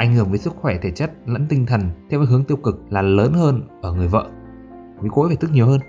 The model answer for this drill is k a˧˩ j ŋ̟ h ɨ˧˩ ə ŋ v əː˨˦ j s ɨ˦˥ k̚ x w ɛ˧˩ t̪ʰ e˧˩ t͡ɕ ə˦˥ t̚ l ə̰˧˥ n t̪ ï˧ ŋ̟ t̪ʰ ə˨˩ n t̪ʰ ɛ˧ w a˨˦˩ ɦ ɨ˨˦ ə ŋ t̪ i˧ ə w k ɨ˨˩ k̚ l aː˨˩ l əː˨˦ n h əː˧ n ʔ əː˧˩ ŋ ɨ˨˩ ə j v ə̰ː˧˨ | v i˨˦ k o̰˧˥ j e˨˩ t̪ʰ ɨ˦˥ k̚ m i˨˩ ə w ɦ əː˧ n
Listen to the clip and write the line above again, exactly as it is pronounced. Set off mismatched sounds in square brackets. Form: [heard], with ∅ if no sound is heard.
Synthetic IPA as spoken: [ʔ] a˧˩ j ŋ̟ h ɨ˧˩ ə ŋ v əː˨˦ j s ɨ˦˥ k̚ x w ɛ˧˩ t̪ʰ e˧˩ t͡ɕ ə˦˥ t̚ l ə̰˧˥ n t̪ ï˧ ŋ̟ t̪ʰ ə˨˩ n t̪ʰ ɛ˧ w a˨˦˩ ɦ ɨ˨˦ ə ŋ t̪ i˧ ə w k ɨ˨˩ k̚ l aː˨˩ l əː˨˦ n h əː˧ n ʔ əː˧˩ ŋ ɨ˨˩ ə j v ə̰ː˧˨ | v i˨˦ k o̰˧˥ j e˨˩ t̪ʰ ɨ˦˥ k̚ [ɲ] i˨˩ ə w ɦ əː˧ n